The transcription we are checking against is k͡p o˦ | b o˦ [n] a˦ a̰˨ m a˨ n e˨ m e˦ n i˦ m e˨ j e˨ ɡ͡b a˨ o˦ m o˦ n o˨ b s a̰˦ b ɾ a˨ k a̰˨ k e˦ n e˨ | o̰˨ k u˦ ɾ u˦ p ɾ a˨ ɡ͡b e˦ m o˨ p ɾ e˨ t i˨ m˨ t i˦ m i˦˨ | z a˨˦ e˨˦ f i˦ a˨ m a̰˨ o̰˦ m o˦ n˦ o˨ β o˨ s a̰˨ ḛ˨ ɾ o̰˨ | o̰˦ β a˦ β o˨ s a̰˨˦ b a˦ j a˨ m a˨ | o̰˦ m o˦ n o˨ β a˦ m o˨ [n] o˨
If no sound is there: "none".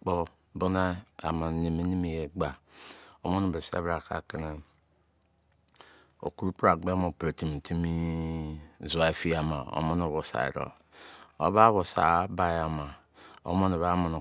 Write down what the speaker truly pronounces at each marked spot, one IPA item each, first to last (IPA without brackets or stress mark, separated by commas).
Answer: n, n